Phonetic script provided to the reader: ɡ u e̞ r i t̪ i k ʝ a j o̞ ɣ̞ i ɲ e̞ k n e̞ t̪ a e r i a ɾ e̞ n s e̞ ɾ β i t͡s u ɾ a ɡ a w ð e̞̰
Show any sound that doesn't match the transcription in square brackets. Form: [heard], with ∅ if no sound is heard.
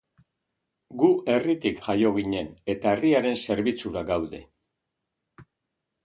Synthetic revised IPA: ɡ u e̞ r i t̪ i k ʝ a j o̞ ɣ̞ i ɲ e̞ [∅] n e̞ t̪ a e r i a ɾ e̞ n s e̞ ɾ β i t͡s u ɾ a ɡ a w ð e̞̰